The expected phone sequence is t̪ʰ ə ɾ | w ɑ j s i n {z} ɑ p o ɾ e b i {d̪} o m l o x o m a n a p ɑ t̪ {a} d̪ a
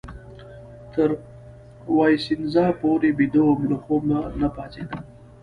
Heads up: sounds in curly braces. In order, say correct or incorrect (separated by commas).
correct, correct, incorrect